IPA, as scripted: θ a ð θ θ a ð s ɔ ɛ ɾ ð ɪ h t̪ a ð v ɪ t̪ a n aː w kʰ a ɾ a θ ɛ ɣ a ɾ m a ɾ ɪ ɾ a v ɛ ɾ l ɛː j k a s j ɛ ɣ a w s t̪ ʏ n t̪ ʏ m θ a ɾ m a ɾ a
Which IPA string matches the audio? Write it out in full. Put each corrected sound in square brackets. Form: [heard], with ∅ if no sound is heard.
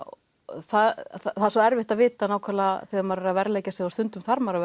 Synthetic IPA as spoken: θ a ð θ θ a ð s ɔ ɛ ɾ [v] ɪ h t̪ a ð v [ɪː] t̪ a n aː w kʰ a [l] a θ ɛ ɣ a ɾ m a ɾ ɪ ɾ a v ɛ ɾ l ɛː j [c] a s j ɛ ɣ a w s t̪ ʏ n t̪ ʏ m θ a ɾ m a ɾ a